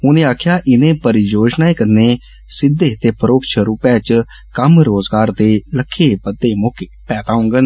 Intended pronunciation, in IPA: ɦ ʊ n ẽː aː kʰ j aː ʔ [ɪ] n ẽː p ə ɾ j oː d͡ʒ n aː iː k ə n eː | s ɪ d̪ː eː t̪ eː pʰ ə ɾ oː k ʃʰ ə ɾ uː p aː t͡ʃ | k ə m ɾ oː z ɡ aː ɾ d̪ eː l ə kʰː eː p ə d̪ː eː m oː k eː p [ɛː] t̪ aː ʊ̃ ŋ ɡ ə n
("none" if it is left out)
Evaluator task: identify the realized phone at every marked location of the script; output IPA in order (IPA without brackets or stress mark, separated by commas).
ɪ, ɛː